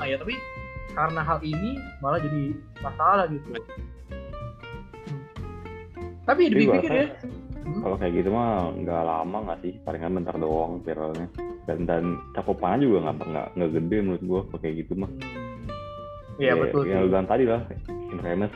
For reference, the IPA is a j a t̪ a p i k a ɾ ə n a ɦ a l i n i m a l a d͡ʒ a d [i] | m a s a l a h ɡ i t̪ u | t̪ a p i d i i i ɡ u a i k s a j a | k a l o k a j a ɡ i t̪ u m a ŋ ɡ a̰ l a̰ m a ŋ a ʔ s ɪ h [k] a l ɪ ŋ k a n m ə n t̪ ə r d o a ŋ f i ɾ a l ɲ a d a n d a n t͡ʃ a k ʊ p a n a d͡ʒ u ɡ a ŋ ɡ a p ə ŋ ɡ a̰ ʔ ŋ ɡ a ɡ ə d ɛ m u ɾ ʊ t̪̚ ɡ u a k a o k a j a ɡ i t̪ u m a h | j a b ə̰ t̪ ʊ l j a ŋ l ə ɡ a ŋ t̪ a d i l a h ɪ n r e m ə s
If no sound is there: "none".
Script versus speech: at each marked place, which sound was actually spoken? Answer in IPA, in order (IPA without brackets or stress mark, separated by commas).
i, p